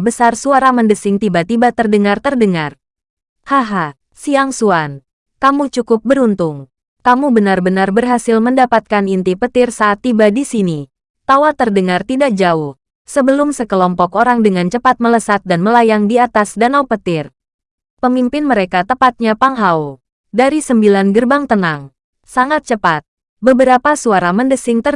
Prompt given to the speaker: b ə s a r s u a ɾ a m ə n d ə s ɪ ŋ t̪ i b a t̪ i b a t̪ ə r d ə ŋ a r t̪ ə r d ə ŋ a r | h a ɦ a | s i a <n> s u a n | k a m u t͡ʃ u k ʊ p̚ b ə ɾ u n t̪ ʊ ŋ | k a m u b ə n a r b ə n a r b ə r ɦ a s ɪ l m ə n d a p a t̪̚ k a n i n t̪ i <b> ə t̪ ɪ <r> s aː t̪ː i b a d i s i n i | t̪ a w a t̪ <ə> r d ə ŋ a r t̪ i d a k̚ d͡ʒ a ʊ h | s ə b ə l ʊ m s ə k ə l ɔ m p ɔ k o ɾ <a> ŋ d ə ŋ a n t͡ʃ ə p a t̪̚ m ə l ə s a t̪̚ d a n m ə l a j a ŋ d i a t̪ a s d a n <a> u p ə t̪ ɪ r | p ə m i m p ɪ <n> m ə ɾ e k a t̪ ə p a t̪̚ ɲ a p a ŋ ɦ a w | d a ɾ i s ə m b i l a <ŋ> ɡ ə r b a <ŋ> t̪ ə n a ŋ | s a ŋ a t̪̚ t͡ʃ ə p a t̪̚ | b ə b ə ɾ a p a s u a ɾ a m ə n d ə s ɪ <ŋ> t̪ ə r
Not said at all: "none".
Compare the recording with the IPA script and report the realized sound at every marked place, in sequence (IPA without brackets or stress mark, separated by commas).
ŋ, p, r, ə, a, a, n, n, ŋ, ŋ